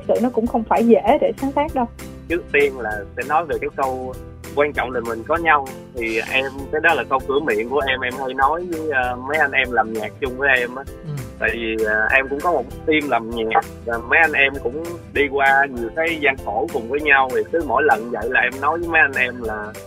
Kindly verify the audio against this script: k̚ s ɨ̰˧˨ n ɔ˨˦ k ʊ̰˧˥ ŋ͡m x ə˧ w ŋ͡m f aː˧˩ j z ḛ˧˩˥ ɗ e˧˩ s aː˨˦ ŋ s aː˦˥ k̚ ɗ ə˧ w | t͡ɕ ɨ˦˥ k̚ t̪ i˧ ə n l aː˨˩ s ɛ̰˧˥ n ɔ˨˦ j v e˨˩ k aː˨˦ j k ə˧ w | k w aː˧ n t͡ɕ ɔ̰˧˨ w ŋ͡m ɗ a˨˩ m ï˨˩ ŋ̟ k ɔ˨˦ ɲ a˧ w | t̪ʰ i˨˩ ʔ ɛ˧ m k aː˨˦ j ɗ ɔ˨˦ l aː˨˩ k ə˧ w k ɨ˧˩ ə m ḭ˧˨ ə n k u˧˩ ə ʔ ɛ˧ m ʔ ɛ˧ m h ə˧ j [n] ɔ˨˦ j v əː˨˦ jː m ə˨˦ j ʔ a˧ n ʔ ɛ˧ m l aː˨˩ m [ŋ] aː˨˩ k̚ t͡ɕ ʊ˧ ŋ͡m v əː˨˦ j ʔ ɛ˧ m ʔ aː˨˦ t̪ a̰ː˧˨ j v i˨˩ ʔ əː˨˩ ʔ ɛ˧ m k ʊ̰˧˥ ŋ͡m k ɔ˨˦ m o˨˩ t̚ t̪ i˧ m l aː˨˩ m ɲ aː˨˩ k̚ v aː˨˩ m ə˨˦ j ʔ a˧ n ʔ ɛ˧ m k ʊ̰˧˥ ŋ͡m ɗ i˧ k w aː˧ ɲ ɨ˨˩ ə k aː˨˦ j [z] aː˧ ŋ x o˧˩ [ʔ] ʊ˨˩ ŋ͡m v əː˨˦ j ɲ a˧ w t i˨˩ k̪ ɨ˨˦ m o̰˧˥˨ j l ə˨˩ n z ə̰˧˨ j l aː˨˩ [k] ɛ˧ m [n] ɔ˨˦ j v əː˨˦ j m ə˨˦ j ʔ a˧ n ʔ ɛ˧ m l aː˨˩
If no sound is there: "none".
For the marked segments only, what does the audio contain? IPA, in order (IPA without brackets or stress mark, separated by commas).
n, ɲ, z, k, ʔ, n